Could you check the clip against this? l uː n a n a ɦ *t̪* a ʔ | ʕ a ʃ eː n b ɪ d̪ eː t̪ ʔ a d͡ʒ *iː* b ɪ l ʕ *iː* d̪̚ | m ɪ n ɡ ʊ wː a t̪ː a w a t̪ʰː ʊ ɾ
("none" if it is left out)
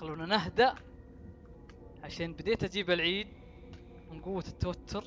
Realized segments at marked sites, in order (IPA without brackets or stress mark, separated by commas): d̪, iː, iː